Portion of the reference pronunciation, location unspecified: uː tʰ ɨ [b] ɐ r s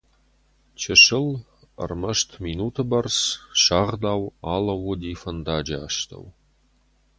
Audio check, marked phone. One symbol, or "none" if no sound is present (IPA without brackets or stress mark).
b